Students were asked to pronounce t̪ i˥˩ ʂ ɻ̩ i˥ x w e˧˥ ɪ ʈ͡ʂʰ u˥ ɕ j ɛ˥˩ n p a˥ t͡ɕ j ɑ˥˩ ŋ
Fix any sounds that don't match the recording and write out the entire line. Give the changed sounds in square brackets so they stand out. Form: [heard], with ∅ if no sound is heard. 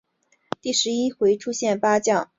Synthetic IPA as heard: t̪ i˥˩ ʂ ɻ̩ i˥ x w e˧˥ ɪ ʈ͡ʂʰ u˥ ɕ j ɛ˥˩ n p a˥ t͡ɕ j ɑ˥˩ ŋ